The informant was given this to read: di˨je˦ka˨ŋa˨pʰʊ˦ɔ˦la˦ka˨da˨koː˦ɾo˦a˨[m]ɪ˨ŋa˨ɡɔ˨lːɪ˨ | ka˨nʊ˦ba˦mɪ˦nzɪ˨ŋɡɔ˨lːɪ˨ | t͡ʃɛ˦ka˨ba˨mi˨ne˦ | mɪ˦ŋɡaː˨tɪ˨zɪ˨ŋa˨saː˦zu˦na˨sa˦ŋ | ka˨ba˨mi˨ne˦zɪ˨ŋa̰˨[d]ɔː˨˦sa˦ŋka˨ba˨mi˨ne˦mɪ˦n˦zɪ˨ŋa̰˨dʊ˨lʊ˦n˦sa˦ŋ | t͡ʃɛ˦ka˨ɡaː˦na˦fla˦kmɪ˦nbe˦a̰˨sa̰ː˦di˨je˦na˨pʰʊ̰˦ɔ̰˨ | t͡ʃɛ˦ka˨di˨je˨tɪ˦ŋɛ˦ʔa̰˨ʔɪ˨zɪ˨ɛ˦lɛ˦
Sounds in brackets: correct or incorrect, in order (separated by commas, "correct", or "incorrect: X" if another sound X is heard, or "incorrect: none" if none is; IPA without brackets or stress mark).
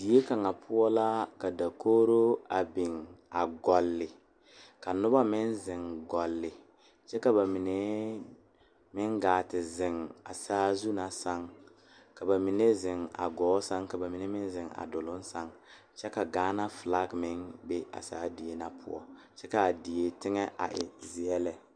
incorrect: b, incorrect: ɡ